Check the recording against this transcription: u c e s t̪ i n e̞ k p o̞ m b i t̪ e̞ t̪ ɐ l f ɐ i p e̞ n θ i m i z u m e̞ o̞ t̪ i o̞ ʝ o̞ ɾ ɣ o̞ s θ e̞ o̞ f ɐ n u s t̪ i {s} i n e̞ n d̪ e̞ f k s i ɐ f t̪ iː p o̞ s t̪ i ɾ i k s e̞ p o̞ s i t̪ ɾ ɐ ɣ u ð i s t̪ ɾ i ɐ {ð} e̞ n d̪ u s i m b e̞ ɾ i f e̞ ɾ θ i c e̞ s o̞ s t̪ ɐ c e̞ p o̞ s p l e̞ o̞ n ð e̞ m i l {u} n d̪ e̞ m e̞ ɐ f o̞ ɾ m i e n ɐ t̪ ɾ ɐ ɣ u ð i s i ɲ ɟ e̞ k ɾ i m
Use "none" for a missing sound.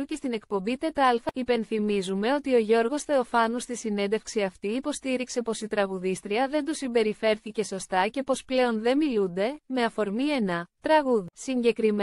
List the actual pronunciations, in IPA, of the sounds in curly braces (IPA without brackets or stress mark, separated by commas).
s, ð, u